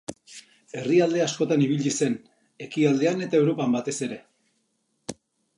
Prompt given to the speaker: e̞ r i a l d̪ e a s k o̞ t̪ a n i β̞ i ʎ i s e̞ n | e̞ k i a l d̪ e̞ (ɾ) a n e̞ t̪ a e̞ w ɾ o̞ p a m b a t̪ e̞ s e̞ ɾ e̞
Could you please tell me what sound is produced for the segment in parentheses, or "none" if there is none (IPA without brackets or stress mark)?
none